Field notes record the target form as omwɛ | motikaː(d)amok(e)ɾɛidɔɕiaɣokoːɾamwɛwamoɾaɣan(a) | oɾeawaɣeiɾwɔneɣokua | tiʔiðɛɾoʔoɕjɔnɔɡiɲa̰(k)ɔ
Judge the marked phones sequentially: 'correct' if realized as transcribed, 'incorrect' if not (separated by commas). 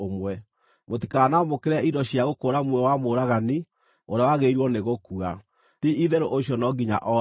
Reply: incorrect, correct, incorrect, incorrect